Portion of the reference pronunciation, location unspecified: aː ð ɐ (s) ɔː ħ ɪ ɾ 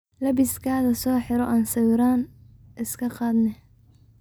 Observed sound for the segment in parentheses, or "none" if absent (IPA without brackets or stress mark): s